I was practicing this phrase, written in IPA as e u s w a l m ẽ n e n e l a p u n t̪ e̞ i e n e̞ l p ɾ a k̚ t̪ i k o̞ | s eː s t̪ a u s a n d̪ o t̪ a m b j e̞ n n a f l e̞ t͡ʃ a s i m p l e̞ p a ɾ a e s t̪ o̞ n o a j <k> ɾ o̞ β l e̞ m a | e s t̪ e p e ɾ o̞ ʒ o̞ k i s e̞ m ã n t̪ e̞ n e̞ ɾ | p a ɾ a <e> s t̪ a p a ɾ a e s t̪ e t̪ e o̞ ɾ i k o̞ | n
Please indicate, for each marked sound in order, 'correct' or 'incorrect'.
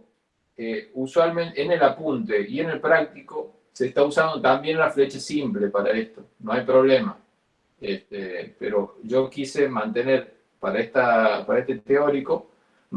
incorrect, correct

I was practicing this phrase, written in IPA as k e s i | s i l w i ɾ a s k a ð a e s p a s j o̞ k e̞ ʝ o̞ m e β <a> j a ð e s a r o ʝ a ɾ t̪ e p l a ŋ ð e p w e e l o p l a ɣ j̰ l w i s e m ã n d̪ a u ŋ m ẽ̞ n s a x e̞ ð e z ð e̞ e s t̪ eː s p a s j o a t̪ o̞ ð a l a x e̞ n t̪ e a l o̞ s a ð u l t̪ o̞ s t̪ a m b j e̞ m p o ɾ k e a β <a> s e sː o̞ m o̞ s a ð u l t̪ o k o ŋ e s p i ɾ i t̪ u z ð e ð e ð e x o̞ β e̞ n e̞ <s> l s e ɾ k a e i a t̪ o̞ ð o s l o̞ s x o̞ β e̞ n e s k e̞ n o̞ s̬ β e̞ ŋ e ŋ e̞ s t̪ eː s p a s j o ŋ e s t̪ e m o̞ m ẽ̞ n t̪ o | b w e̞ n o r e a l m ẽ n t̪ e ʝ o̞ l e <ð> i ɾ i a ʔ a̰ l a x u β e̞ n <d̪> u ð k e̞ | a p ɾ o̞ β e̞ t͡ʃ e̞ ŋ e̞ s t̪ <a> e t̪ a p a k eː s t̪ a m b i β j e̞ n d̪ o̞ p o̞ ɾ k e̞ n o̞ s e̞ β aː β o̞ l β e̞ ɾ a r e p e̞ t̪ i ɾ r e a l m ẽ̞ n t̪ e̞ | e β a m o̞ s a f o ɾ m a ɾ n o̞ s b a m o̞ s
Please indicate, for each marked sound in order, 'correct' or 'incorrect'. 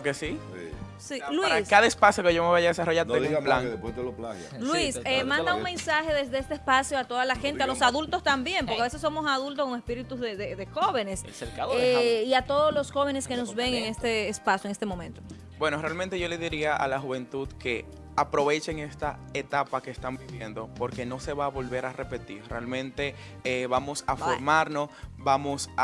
correct, incorrect, correct, correct, incorrect, correct

